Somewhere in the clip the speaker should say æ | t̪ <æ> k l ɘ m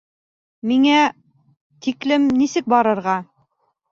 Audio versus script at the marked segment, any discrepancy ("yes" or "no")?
yes